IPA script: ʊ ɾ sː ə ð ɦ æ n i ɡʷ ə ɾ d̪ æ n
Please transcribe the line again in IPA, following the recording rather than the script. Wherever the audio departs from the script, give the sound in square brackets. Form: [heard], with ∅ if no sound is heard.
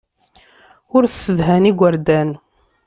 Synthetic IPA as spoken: ʊ ɾ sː ə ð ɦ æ n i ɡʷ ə ɾ d̪ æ n